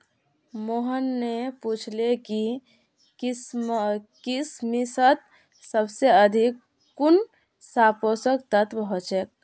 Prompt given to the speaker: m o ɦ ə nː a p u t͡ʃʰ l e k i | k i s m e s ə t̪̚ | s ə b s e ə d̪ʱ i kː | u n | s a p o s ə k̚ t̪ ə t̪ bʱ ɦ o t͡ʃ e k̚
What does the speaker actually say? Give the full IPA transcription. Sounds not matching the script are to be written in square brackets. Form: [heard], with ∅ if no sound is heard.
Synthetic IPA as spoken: m o ɦ ə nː [e] p u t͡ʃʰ l e k i | k i s m [i] s ə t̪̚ | s ə b s e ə d̪ʱ i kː | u n | s a p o s ə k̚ t̪ ə t̪ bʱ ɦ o t͡ʃ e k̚